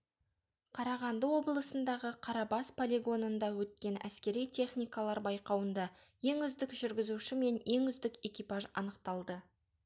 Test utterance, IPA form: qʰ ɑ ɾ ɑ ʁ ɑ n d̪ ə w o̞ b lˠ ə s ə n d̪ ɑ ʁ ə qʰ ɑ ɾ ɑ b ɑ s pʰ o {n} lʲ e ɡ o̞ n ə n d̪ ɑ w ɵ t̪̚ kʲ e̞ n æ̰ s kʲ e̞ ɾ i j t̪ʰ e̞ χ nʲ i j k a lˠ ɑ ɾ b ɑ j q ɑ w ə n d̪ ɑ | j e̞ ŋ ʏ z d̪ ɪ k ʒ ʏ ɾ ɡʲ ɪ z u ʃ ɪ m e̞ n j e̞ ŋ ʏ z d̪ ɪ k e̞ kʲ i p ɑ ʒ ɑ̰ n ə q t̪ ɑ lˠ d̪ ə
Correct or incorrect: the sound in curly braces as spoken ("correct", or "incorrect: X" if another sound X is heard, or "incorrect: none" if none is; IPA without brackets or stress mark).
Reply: incorrect: none